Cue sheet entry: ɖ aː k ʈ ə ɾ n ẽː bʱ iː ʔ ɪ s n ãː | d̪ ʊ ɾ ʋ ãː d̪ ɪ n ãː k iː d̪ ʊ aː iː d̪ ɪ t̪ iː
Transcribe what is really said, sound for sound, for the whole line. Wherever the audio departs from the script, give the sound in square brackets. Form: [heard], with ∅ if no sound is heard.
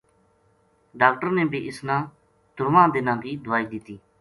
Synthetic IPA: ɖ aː k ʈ ə ɾ n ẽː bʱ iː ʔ ɪ s n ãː | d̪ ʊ ɾ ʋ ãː d̪ ɪ n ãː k iː d̪ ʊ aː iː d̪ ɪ t̪ iː